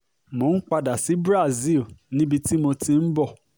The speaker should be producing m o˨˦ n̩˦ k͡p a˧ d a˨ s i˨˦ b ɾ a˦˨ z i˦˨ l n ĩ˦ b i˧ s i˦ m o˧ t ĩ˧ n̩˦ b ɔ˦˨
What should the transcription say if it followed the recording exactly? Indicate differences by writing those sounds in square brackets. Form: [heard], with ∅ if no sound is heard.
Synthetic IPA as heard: m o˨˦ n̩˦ k͡p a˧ d a˨ s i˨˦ b ɾ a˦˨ z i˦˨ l n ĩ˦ b i˧ [t] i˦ m o˧ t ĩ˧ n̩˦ b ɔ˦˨